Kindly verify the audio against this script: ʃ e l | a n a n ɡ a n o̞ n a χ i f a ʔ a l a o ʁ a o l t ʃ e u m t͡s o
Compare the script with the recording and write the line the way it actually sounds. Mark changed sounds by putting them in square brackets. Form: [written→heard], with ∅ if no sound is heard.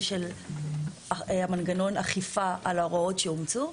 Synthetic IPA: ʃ e l | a [n→m] a n ɡ a n o̞ n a χ i f a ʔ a l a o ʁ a o [l→∅] t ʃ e u m t͡s [o→u]